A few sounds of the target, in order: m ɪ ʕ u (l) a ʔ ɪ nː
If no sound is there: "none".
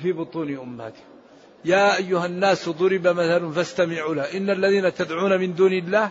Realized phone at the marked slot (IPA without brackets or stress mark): l